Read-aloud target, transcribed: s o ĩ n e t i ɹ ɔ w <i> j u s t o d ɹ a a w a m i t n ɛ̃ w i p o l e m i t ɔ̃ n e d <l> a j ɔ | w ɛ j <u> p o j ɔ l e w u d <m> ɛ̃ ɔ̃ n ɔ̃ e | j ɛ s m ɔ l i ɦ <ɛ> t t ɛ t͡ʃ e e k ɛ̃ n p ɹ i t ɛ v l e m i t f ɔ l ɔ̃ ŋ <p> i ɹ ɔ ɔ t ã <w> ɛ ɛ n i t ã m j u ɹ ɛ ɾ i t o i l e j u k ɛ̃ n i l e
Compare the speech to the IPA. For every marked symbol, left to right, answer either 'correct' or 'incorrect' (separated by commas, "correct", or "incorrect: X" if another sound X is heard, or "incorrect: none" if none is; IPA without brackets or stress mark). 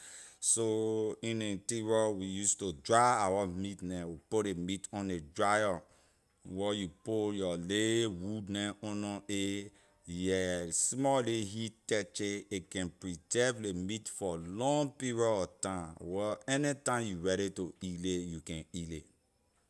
correct, incorrect: ɹ, correct, incorrect: n, incorrect: i, correct, correct